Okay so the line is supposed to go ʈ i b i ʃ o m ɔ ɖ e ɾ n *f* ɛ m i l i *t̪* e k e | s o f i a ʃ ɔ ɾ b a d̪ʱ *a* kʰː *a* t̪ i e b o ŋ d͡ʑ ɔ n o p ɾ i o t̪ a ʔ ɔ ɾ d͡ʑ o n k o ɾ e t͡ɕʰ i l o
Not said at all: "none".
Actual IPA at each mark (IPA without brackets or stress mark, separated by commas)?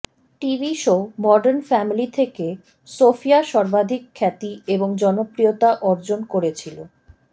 f, t̪ʰ, i, ɛ